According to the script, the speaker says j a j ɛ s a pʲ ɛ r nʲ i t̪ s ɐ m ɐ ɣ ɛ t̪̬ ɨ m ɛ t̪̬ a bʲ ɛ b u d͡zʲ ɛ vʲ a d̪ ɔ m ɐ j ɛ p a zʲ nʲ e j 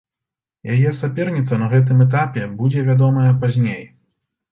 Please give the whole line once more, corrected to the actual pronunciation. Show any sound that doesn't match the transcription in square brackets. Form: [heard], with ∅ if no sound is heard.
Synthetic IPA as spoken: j a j ɛ s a pʲ ɛ r nʲ i t̪ s ɐ [n] ɐ ɣ ɛ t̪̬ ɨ m ɛ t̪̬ a [pʲ] ɛ b u d͡zʲ ɛ vʲ a d̪ ɔ m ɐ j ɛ p a zʲ nʲ e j